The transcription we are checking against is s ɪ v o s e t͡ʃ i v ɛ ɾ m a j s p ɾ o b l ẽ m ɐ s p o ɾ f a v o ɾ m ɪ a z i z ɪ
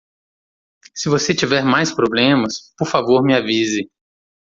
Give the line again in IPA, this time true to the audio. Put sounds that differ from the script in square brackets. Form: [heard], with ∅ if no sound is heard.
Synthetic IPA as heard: s ɪ v o s e t͡ʃ i v ɛ ɾ m a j s p ɾ o b l ẽ m ɐ s p o ɾ f a v o ɾ m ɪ a [v] i z ɪ